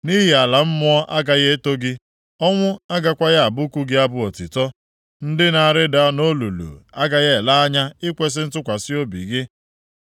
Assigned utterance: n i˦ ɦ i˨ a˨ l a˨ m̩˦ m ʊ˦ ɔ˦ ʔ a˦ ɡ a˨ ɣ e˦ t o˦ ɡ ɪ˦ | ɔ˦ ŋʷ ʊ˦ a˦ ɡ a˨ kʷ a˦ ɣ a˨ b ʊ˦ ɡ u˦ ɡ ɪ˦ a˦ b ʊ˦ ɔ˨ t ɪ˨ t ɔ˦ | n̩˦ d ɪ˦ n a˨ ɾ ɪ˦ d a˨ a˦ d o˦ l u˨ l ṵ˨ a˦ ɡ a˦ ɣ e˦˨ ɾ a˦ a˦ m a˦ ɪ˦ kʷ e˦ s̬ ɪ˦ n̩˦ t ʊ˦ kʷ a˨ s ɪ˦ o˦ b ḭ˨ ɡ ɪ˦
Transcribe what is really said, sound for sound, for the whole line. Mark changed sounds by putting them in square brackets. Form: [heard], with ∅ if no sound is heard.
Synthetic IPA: n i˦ ɦ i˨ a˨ l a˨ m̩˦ m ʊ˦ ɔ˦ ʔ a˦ ɡ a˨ ɣ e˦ t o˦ ɡ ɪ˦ | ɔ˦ ŋʷ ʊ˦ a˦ ɡ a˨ kʷ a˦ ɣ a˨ b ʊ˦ [k] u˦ ɡ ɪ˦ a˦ b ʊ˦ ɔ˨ t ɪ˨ t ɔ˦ | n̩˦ d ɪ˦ n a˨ ɾ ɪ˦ d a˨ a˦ [n] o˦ l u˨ l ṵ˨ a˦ ɡ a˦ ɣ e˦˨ [l] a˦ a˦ [ɲ] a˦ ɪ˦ kʷ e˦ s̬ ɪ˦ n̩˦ t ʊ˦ kʷ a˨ s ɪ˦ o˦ b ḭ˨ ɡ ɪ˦